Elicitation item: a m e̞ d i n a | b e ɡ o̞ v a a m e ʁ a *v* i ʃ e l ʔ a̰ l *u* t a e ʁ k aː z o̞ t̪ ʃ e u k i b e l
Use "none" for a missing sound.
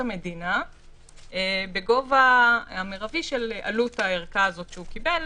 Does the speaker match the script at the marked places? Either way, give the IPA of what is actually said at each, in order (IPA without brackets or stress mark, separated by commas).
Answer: v, u